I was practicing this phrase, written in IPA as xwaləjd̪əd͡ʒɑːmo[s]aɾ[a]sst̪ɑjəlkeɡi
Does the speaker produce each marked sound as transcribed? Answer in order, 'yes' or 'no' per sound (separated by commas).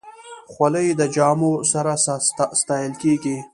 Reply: yes, yes